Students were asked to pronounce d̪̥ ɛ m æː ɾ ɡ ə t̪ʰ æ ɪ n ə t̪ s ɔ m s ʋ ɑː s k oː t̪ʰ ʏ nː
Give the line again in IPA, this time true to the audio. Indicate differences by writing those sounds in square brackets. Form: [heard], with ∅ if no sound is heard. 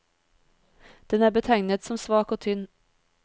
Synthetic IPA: d̪̥ ɛ [n] æː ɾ [b] ə t̪ʰ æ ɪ n ə t̪ s ɔ m s ʋ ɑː [∅] k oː t̪ʰ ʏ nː